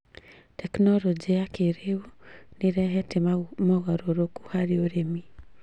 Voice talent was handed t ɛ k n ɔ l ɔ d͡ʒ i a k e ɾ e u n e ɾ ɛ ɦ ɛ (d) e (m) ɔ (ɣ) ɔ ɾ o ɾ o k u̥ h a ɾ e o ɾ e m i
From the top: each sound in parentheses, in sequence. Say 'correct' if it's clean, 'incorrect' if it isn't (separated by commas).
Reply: incorrect, correct, correct